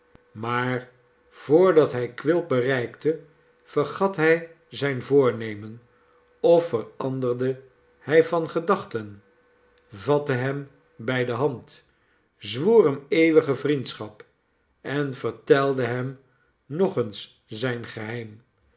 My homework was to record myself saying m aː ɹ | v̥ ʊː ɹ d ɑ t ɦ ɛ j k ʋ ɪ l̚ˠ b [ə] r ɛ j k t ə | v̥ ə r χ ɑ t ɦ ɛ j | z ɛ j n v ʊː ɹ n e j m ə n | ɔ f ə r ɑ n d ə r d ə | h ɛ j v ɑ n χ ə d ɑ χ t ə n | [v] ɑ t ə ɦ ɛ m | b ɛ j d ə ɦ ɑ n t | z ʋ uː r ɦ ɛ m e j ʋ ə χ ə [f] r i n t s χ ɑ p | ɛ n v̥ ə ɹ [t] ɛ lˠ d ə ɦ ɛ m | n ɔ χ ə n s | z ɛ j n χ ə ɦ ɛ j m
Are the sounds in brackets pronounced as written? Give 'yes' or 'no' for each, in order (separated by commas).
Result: yes, yes, no, yes